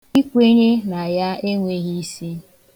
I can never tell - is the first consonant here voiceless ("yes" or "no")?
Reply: yes